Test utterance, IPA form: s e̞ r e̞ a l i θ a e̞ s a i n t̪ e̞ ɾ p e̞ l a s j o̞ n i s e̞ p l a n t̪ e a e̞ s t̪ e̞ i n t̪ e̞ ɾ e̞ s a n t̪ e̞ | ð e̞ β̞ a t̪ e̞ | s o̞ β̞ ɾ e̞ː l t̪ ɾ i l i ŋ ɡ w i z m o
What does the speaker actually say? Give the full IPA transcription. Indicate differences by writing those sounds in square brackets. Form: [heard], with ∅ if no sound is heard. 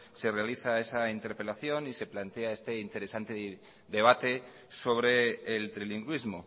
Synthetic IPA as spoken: s e̞ r e̞ a l i θ a e̞ s a i n t̪ e̞ ɾ p e̞ l a [θ] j o̞ n i s e̞ p l a n t̪ e a e̞ s t̪ e̞ i n t̪ e̞ ɾ e̞ s a n t̪ e̞ | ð e̞ β̞ a t̪ e̞ | s o̞ β̞ ɾ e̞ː l t̪ ɾ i l i ŋ ɡ w i z m o